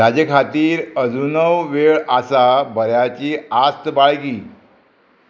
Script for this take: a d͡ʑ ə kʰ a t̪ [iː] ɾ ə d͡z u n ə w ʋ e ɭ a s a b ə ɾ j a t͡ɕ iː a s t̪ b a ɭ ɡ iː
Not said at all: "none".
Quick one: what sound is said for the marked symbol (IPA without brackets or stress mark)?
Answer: iː